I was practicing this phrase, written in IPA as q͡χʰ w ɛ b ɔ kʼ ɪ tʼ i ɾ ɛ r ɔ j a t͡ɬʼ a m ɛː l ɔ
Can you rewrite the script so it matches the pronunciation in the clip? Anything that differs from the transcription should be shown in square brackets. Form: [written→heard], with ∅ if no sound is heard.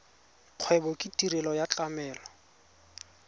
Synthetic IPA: q͡χʰ w ɛ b ɔ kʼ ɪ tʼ i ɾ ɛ [r→l] ɔ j a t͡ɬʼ a m ɛː l ɔ